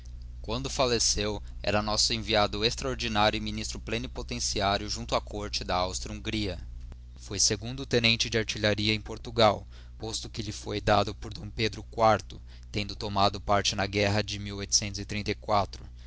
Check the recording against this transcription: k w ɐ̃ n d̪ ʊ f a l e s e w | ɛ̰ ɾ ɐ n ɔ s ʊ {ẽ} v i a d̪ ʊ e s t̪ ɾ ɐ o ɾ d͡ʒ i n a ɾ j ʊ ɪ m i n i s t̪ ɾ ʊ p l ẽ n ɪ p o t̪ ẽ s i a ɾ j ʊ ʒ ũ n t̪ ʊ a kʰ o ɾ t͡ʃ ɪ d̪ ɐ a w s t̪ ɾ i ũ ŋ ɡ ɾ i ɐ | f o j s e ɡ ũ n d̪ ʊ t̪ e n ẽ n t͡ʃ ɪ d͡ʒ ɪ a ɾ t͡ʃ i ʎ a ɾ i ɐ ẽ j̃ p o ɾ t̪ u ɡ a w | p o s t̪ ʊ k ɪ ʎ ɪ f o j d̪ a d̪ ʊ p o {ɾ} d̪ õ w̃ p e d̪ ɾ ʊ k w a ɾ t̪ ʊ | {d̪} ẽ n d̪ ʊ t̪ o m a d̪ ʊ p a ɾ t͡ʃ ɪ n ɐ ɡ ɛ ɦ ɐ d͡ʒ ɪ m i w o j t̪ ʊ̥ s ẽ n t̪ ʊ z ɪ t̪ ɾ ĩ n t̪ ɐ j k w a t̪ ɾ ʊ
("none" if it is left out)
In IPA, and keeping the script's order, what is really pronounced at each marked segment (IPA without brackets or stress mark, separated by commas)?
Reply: ẽ, ɾ, t̪